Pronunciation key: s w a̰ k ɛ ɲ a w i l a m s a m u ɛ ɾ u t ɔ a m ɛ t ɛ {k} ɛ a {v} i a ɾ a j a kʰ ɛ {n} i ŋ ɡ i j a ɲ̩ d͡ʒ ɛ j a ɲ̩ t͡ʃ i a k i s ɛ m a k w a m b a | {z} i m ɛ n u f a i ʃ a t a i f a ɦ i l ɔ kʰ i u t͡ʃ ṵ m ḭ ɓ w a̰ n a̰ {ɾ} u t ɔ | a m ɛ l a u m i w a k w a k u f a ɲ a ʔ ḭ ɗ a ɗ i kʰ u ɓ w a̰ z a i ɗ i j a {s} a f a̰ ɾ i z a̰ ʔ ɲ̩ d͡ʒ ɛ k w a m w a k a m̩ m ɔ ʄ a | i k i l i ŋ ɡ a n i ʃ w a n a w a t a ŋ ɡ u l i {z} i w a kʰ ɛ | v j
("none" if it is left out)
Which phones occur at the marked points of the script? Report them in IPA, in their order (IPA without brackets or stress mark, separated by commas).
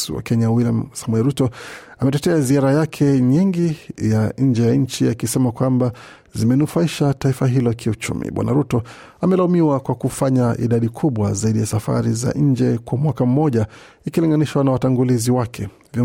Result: t, z, ɲ, z, ɾ, s, z